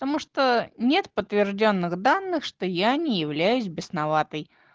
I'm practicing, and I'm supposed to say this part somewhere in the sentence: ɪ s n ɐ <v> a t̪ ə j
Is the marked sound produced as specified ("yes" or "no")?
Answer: yes